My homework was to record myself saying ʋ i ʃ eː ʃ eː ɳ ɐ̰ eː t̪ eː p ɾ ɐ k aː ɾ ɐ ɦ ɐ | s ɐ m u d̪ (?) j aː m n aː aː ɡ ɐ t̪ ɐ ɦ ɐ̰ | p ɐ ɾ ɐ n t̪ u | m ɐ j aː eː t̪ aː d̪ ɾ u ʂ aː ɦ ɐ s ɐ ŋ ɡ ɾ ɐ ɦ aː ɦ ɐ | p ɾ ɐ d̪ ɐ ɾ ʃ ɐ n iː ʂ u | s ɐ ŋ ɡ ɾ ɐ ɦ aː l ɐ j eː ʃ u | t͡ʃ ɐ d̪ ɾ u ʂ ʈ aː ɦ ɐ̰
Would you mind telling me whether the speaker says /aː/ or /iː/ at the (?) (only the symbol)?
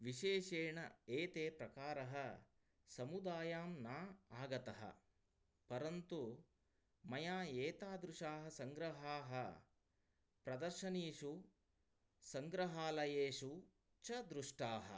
aː